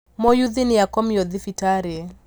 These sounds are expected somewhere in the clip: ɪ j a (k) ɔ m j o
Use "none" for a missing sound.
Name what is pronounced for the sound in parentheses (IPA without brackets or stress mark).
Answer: k